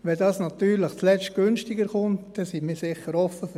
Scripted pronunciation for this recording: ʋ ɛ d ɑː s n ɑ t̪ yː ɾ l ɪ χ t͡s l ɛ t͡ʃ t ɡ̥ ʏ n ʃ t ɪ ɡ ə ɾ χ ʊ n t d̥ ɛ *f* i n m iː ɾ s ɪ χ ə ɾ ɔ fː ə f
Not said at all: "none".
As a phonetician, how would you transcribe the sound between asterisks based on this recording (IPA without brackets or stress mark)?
s